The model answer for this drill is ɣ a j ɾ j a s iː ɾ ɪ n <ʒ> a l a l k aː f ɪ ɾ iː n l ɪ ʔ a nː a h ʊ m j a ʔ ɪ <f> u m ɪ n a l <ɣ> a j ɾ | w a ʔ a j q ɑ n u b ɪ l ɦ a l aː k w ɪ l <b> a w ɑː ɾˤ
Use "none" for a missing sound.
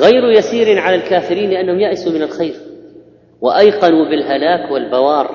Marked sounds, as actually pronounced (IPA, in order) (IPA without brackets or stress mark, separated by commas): ʕ, s, x, b